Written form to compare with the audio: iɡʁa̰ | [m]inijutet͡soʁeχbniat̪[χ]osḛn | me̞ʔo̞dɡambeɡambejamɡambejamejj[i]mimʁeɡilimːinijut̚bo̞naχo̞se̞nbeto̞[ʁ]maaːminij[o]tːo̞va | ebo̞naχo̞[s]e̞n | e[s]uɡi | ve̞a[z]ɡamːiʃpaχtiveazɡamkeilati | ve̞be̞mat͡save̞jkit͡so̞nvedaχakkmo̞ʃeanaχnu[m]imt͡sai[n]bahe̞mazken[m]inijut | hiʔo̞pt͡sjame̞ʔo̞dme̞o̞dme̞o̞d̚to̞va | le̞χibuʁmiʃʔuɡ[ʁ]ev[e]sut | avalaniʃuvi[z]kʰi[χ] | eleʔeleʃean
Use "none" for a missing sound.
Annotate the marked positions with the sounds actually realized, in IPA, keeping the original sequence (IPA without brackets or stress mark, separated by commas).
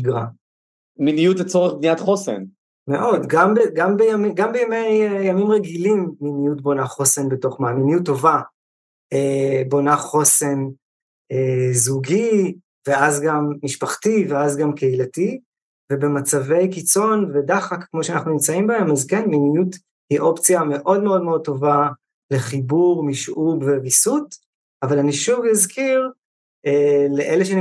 m, χ, a, χ, u, s, z, z, n, m, m, v, i, z, ʁ